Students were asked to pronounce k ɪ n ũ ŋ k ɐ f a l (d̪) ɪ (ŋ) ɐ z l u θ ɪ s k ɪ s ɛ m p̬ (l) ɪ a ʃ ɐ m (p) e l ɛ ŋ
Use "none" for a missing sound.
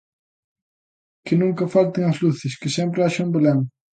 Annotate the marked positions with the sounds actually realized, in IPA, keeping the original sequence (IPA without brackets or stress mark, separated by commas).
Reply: t̪, ŋ, ɾ, b